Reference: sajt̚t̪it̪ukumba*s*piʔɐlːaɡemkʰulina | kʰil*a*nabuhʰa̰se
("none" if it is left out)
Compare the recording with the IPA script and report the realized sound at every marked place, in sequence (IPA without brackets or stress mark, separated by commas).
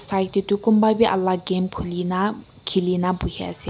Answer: none, i